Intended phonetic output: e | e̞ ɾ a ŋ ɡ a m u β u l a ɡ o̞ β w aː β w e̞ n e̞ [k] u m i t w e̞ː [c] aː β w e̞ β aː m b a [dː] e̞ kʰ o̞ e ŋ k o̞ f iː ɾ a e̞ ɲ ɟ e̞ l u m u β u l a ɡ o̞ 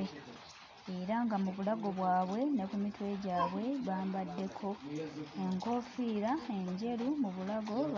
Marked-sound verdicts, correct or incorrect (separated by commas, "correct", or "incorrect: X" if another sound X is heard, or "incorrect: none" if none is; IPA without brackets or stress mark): correct, incorrect: ɟ, correct